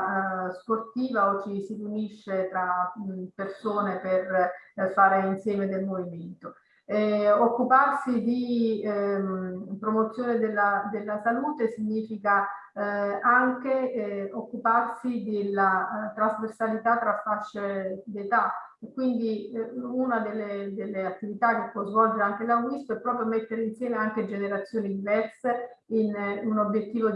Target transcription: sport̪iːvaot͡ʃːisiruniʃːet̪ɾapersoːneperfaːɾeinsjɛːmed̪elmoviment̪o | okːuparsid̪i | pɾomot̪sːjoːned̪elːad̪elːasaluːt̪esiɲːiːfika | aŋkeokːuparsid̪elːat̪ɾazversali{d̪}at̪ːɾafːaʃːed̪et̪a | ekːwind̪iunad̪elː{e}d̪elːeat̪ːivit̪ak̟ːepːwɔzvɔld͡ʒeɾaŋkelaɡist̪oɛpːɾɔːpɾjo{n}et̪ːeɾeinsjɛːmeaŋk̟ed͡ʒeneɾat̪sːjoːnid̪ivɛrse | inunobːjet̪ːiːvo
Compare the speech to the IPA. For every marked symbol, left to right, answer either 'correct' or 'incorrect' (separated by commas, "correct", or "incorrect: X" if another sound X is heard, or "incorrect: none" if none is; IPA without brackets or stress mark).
incorrect: t̪, correct, incorrect: m